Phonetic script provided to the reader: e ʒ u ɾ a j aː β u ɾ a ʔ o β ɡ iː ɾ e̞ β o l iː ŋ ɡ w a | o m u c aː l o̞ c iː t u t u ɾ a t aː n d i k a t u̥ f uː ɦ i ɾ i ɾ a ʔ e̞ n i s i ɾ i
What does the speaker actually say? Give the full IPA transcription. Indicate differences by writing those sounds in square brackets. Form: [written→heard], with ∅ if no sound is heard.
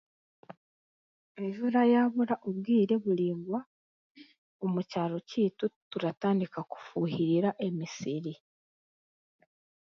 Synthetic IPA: e ʒ u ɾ a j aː β u ɾ a ʔ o β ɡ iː ɾ e̞ β [o→u] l iː ŋ ɡ w a | o m u c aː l o̞ c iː t u t u ɾ a t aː n d i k a [t→k] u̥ f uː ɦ i ɾ i ɾ a ʔ e̞ [n→m] i s i ɾ i